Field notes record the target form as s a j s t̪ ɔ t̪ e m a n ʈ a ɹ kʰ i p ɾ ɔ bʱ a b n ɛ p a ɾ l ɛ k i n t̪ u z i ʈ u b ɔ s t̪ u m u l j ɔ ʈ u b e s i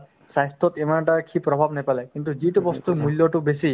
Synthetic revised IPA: s a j s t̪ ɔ t̪ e m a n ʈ a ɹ kʰ i p ɾ ɔ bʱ a b n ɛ p a l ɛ k i n t̪ u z i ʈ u b ɔ s t̪ u m u l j ɔ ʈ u b e s i